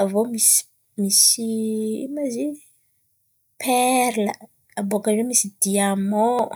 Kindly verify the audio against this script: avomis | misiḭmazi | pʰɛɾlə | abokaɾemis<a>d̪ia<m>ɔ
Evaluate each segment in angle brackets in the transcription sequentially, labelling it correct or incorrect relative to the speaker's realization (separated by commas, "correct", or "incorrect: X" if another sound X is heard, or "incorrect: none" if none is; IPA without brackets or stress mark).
incorrect: i, correct